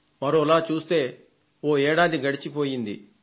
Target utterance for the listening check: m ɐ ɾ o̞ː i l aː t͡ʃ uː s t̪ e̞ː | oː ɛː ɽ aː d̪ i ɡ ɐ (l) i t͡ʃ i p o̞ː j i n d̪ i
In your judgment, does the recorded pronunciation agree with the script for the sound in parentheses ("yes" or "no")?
no